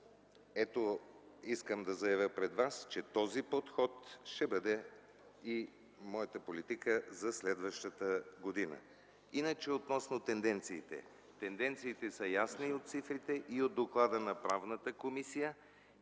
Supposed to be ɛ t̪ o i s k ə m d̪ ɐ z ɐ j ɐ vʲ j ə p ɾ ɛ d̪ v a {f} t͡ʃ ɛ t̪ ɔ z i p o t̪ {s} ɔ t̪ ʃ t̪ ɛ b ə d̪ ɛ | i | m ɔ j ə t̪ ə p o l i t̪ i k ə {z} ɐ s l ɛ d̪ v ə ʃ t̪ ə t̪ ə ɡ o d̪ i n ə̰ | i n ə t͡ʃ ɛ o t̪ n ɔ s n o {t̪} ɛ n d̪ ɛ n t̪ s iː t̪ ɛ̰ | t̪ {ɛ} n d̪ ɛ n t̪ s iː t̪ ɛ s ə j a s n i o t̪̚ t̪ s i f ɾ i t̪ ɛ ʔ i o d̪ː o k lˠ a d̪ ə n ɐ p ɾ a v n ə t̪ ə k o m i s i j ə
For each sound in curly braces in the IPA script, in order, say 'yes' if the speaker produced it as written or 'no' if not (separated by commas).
no, no, yes, yes, yes